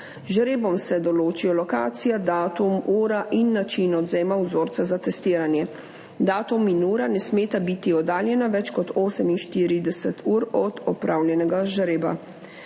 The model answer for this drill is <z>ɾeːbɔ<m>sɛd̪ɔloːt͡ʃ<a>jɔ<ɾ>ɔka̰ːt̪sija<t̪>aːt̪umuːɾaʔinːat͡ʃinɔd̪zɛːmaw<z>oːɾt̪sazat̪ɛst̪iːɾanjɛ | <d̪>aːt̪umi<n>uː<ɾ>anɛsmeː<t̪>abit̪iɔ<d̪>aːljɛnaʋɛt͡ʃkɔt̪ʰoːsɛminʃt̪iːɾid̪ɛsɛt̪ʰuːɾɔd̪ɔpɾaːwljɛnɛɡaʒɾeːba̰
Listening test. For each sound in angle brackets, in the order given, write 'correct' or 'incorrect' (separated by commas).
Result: incorrect, correct, incorrect, incorrect, incorrect, correct, correct, correct, correct, correct, correct